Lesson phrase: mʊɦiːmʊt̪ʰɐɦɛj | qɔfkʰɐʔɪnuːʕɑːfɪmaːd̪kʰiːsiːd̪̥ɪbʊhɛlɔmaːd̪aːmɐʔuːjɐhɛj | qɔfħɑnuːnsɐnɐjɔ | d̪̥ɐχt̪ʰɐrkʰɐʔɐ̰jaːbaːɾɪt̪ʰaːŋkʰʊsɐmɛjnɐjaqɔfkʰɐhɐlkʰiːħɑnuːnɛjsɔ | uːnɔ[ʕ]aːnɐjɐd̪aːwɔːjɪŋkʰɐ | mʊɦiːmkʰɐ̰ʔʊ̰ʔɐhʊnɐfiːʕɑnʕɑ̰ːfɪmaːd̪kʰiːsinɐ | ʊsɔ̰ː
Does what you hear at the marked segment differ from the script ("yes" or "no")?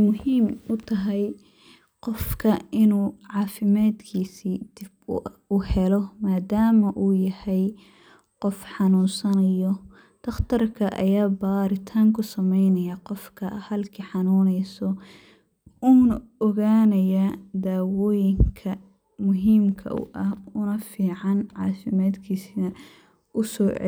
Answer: yes